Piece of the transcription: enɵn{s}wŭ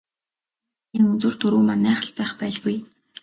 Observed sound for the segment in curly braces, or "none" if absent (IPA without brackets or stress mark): t͡s